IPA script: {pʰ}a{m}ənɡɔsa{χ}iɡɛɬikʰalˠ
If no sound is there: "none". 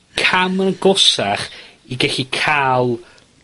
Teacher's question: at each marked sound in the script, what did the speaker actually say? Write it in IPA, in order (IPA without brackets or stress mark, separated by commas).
kʰ, m, χ